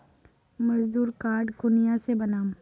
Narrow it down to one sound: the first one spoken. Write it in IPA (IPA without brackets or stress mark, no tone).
m